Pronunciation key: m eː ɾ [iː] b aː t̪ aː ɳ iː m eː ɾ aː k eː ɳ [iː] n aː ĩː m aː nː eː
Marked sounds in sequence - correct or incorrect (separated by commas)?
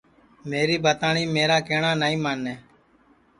correct, incorrect